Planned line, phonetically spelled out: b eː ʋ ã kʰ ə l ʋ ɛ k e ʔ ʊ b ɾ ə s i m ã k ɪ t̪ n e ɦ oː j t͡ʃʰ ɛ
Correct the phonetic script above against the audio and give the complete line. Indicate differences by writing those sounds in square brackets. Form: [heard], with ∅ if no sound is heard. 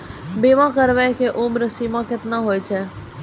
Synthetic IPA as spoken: b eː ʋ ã [k] ə [ɾ] ʋ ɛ k e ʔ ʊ [m] ɾ ə s i m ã k ɪ t̪ n [a] ɦ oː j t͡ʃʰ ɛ